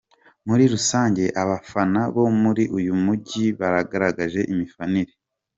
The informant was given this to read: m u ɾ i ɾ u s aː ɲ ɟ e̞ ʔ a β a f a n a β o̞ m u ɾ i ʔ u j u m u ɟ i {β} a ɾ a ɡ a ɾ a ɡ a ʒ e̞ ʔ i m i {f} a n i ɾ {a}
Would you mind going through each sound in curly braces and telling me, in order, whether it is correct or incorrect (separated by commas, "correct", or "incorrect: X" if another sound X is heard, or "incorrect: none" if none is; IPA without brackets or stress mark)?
correct, correct, incorrect: e